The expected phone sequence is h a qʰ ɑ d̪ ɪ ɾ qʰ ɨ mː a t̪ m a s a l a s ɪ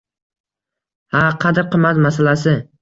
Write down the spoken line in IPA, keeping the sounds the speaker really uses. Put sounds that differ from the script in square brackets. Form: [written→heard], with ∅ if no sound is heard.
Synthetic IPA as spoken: h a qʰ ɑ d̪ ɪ ɾ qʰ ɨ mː a t̪ m a s a l a s ɪ

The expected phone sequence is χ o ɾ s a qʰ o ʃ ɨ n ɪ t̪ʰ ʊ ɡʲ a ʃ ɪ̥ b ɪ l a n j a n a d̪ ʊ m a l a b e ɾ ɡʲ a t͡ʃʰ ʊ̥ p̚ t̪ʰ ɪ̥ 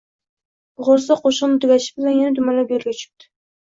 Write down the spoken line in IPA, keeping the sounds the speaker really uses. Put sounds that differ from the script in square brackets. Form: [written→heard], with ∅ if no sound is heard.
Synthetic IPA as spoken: [χ→ʁ] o ɾ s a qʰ o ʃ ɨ n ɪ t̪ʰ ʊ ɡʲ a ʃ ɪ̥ b ɪ l a n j a n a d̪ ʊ m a l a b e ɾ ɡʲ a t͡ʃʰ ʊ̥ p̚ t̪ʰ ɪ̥

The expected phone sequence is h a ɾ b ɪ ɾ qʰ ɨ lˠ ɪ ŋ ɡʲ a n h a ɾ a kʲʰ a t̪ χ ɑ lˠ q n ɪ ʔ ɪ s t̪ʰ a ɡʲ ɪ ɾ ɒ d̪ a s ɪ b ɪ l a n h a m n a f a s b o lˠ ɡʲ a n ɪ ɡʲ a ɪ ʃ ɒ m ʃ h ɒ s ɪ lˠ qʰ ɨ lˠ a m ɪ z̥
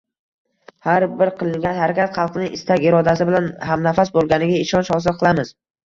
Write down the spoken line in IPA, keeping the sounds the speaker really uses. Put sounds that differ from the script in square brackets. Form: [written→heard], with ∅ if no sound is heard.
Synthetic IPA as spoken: h a ɾ b ɪ ɾ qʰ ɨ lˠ ɪ ŋ ɡʲ a n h a ɾ a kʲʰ a t̪ χ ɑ lˠ q n ɪ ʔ ɪ s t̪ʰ a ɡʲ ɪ ɾ ɒ d̪ a s ɪ b ɪ l a n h a m n a f a s b o lˠ ɡʲ a n ɪ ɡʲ a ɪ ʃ ɒ [m→n] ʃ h ɒ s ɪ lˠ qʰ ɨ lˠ a m ɪ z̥

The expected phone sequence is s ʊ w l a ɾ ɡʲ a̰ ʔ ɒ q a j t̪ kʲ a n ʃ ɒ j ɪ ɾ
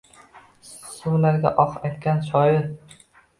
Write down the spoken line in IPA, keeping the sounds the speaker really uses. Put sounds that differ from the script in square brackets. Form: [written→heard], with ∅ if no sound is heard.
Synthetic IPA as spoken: s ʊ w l a ɾ ɡʲ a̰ ʔ ɒ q a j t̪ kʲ a n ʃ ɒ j ɪ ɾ

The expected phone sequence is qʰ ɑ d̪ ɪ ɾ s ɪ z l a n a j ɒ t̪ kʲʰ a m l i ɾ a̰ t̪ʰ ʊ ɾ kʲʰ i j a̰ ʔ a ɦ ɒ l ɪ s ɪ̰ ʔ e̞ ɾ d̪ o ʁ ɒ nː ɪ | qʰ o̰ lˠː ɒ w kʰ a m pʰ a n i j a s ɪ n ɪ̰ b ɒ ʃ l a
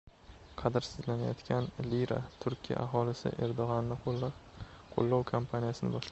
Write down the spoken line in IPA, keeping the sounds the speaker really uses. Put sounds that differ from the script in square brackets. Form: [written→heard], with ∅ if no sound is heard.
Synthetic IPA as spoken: qʰ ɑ d̪ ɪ ɾ s ɪ z l a n a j ɒ t̪ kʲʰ a [m→n] l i ɾ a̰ t̪ʰ ʊ ɾ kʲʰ i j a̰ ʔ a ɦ ɒ l ɪ s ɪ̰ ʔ e̞ ɾ d̪ o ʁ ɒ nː ɪ | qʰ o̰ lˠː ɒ w kʰ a m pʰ a n i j a s ɪ n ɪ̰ b ɒ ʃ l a

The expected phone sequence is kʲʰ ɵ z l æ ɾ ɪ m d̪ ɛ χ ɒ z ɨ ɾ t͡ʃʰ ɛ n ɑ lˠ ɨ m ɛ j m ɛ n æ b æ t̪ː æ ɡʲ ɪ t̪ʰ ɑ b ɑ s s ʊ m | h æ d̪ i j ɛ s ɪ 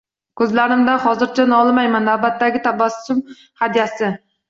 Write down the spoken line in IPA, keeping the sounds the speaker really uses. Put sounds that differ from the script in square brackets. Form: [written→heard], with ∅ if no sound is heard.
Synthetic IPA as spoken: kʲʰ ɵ z l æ ɾ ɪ m d̪ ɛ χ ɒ z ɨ ɾ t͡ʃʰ ɛ n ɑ lˠ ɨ m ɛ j m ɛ n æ b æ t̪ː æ ɡʲ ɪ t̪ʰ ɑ b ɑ s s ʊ m | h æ d̪ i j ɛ s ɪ

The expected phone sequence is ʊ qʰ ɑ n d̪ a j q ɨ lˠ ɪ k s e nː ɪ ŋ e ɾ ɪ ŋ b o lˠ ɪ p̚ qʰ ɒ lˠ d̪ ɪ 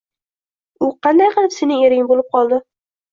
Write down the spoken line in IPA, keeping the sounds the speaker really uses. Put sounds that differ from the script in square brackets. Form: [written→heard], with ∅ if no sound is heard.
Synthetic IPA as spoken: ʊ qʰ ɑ n d̪ a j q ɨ lˠ ɪ [k→p] s e [nː→n] ɪ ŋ e ɾ ɪ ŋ b o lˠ ɪ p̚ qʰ ɒ lˠ d̪ ɪ

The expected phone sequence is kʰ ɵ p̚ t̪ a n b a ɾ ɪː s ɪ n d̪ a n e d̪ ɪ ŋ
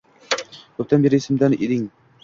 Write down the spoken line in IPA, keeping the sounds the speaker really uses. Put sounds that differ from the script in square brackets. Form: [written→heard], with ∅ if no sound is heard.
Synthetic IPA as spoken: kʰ ɵ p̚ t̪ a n b [a→e] ɾ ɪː s ɪ [n→m] d̪ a n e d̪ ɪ ŋ

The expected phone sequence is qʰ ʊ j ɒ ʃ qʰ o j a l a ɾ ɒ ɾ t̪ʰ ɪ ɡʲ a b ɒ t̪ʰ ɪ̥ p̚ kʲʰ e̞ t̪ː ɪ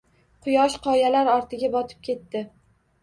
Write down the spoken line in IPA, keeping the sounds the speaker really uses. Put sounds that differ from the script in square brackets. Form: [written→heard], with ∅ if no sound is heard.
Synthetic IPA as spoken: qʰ ʊ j ɒ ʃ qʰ [o→ɒ] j a l a ɾ ɒ ɾ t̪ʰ ɪ ɡʲ a b ɒ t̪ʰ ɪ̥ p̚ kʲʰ e̞ t̪ː ɪ

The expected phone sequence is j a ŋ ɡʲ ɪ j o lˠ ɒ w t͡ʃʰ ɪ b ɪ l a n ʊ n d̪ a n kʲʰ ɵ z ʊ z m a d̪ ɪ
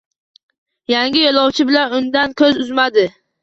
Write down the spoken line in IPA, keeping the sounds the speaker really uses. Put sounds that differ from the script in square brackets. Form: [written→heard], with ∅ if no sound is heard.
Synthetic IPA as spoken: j a ŋ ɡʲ ɪ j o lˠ ɒ w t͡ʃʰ ɪ b ɪ l a n ʊ n d̪ a n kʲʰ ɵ z ʊ z m a d̪ ɪ

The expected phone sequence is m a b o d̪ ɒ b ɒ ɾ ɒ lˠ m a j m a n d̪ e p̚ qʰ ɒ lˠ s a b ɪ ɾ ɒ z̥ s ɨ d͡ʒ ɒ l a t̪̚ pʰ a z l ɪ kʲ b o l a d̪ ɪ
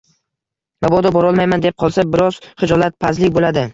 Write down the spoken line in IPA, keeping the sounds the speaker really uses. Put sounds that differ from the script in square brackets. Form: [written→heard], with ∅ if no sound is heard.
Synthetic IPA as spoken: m a b [o→ɒ] d̪ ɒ b ɒ ɾ ɒ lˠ m a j m a n d̪ e p̚ qʰ ɒ lˠ s a b ɪ ɾ ɒ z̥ [s→χ] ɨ d͡ʒ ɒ l a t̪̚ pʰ a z l ɪ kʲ b o l a d̪ ɪ

